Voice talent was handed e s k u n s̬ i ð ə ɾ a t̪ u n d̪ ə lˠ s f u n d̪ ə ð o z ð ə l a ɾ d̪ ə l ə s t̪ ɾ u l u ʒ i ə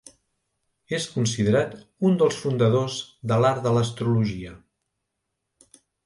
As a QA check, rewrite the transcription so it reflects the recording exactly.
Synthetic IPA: e s k u n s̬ i ð ə ɾ a t̪ u n d̪ ə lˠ s f u n d̪ ə ð o z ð ə l a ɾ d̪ ə l ə s t̪ ɾ u l u ʒ i ə